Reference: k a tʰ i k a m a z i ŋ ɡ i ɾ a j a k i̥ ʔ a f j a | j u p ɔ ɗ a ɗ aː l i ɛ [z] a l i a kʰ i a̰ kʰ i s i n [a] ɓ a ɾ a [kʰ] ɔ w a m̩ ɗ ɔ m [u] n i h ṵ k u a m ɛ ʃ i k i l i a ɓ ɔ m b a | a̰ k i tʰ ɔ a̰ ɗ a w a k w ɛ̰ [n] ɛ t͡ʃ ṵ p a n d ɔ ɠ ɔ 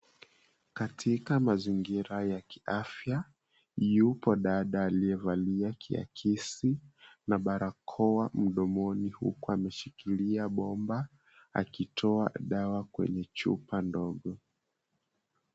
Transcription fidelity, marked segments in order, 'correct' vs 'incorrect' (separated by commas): incorrect, correct, correct, incorrect, incorrect